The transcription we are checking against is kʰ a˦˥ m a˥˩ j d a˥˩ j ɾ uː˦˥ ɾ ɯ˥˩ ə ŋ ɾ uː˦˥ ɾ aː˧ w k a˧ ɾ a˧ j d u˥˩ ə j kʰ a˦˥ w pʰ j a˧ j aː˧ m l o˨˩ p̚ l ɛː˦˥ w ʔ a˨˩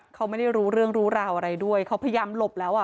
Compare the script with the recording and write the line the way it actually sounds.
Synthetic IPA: kʰ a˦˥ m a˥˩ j d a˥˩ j ɾ uː˦˥ ɾ ɯ˥˩ ə ŋ ɾ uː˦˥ ɾ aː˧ w ʔ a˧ ɾ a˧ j d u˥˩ ə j kʰ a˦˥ w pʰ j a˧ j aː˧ m l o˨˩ p̚ l ɛː˦˥ w ʔ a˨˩